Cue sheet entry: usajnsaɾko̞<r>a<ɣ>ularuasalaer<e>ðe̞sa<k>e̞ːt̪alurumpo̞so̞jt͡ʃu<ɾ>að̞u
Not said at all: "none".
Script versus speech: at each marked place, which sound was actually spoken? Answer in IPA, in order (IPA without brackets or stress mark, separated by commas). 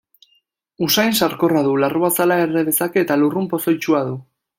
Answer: r, ð, e, k, none